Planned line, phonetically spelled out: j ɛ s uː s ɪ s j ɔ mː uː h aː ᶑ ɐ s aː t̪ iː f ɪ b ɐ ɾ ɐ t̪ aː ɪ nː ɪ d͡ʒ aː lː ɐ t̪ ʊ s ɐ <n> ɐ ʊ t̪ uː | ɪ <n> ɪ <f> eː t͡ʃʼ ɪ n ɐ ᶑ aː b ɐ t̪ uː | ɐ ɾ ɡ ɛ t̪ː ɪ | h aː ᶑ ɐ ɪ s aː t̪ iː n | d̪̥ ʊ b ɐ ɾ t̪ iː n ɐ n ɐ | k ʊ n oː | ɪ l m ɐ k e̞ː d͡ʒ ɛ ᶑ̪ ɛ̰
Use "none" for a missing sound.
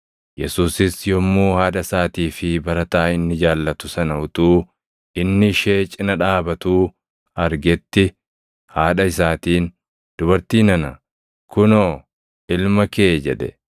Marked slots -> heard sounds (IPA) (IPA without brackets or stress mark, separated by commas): n, nː, ʃ